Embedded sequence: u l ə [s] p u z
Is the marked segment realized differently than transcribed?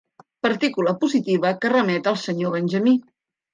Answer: yes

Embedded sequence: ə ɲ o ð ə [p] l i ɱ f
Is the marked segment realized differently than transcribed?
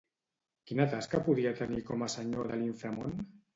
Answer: yes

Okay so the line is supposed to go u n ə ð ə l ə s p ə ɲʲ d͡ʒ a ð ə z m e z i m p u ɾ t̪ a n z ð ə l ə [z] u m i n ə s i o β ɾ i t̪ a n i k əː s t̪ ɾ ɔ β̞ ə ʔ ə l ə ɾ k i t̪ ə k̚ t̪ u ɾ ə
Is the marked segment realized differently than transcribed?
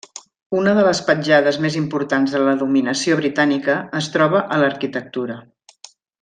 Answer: yes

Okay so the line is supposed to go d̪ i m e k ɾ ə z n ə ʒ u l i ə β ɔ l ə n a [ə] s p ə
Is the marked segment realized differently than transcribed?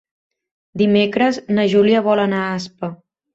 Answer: yes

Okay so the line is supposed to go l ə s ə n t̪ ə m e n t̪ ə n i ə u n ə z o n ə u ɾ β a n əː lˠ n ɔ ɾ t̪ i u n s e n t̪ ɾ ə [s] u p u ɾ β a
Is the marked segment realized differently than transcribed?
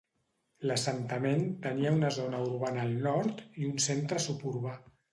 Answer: no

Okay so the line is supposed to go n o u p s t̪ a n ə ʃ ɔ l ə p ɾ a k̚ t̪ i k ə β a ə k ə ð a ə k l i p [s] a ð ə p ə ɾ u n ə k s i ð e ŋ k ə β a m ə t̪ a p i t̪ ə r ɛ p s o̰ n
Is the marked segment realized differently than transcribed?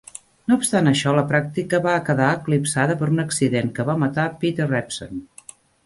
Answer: no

